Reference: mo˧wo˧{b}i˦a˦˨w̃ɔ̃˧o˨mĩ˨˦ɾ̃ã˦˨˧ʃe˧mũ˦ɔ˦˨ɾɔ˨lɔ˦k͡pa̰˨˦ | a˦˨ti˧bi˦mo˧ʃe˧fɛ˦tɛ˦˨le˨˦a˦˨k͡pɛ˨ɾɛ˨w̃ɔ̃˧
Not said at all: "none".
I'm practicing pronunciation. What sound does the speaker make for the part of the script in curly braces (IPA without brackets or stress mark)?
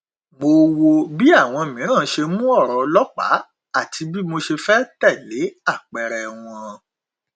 b